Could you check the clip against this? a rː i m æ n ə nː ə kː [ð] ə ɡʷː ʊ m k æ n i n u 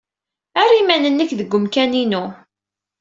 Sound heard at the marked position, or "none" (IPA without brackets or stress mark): ð